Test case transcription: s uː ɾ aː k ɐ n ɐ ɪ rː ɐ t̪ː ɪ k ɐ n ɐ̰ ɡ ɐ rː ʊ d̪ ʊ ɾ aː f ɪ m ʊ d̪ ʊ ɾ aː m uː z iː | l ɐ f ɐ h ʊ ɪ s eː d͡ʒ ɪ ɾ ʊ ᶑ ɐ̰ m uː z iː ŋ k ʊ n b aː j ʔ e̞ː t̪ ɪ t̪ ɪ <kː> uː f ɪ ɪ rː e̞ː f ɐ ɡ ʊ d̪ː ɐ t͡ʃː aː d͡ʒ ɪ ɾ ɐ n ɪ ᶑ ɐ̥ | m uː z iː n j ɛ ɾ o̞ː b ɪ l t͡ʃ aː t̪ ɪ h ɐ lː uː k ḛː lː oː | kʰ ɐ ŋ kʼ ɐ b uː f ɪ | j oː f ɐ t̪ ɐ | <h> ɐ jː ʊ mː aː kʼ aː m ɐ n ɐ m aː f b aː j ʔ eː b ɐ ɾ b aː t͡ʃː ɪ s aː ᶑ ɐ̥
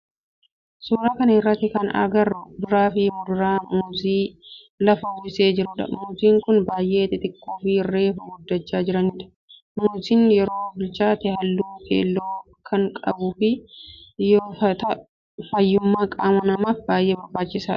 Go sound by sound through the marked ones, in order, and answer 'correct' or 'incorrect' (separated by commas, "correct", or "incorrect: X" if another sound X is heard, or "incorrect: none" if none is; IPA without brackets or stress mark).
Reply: correct, incorrect: f